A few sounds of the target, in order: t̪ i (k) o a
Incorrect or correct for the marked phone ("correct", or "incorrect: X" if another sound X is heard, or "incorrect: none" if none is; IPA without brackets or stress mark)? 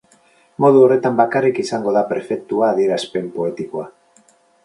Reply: correct